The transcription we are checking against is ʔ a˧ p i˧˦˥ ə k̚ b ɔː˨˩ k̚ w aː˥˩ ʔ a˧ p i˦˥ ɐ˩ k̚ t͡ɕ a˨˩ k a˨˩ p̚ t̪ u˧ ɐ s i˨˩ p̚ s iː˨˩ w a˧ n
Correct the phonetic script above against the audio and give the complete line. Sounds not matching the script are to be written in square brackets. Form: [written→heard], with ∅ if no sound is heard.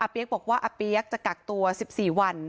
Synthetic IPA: ʔ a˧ p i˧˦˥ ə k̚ b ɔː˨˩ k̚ w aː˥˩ ʔ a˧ p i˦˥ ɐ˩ k̚ t͡ɕ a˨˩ k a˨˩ [p̚→k̚] t̪ u˧ ɐ s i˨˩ p̚ s iː˨˩ w a˧ n